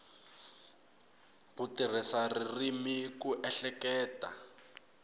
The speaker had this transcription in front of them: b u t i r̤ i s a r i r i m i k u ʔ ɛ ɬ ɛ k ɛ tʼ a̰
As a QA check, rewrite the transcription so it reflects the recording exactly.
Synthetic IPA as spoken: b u t i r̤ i s a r i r i m i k u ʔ ɛ ɬ ɛ k ɛː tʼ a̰